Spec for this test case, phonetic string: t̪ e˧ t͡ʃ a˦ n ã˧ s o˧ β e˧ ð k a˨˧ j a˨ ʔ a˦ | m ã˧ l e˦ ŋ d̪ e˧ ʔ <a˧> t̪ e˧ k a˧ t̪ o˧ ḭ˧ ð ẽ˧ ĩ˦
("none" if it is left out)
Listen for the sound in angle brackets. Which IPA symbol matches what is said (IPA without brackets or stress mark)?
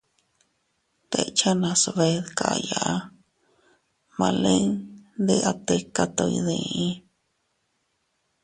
a˧